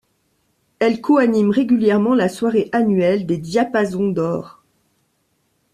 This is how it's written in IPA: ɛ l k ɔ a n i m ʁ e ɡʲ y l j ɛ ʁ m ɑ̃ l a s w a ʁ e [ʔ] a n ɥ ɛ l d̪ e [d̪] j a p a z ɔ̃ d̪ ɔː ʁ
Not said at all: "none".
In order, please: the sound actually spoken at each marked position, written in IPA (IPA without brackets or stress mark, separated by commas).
ʔ, d̪